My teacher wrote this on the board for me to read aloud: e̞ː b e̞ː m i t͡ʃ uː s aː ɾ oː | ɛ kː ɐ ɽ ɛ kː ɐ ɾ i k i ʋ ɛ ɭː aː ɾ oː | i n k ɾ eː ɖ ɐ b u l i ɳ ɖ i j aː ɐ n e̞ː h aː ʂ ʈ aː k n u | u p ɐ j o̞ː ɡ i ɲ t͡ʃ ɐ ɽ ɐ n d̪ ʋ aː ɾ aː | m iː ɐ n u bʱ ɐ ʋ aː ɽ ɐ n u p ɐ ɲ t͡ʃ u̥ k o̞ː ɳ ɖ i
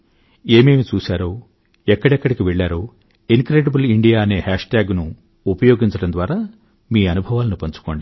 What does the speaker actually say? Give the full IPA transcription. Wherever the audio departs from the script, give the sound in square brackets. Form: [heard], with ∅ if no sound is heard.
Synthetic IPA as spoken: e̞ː [m] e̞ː m i t͡ʃ uː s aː ɾ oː | ɛ kː ɐ ɽ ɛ kː ɐ [ɽ] i k i ʋ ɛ ɭː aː ɾ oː | i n k ɾ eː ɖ ɐ b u l i ɳ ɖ i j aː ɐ n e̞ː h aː ʂ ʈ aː [ɡ] n u | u p ɐ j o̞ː ɡ i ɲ t͡ʃ ɐ ɽ ɐ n d̪ ʋ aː ɾ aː | m iː ɐ n u bʱ ɐ ʋ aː [l] ɐ n u p ɐ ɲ t͡ʃ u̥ k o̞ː ɳ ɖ i